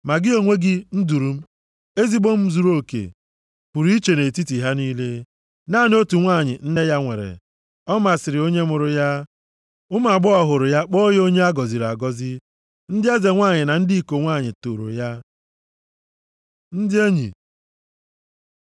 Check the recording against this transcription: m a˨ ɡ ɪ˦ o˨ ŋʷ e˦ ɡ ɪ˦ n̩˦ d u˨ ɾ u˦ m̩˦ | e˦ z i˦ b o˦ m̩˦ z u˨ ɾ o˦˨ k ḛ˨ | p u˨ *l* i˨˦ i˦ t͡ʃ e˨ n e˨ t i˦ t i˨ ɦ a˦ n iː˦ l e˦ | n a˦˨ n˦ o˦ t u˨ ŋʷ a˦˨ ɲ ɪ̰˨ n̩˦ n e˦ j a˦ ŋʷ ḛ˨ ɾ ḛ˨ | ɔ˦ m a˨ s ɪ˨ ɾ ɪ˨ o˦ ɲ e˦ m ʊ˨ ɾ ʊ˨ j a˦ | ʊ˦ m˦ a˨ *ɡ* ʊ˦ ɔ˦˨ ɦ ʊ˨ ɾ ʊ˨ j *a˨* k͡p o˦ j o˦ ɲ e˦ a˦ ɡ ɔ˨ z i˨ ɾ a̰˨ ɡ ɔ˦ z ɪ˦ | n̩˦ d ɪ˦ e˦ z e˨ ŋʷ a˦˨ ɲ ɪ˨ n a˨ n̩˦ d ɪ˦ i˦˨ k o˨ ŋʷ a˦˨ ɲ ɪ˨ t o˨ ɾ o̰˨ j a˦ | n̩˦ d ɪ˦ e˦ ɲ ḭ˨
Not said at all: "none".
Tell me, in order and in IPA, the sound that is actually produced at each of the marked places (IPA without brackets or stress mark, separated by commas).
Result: ɾ, ɡ͡b, a˦